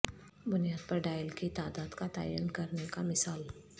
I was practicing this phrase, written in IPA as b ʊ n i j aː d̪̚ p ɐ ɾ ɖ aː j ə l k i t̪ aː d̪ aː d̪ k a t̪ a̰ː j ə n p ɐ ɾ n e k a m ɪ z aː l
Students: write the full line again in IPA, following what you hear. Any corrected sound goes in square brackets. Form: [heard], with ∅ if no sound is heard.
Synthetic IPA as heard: b ʊ n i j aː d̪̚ p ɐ ɾ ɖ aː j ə l k i t̪ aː d̪ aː d̪ k a t̪ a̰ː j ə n [k] ɐ ɾ n e k a m ɪ [s] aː l